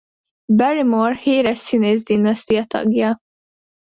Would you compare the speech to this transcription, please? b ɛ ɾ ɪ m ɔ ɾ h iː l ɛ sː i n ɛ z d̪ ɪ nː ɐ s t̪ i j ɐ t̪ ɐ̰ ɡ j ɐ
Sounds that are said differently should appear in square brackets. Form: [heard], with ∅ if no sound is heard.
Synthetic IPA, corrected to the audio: b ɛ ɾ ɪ m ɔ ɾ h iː [ɾ] ɛ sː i n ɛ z d̪ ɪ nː ɐ s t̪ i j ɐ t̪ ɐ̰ ɡ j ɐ